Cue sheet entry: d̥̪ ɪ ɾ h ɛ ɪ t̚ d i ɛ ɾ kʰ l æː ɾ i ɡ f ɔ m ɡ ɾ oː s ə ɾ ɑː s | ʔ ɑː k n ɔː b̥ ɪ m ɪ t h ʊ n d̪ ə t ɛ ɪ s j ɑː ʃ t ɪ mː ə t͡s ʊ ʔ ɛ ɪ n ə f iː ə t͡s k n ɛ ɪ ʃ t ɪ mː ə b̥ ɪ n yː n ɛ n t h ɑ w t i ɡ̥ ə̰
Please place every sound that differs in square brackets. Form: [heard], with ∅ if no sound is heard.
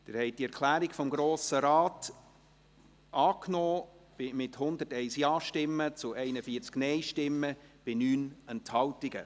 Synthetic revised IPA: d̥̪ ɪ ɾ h ɛ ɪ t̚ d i ɛ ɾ kʰ l æː ɾ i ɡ f ɔ m ɡ ɾ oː s ə ɾ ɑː [t] | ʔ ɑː k n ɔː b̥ ɪ m ɪ t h ʊ n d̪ ə t ɛ ɪ s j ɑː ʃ t ɪ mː ə t͡s ʊ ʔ ɛ ɪ n ə f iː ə t͡s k n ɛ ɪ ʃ t ɪ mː ə b̥ ɪ n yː n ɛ n t h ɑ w t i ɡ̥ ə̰